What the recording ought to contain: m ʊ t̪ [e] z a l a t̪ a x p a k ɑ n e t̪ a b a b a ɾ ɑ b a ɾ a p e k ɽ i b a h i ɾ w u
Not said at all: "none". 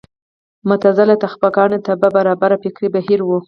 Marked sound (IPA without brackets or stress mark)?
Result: a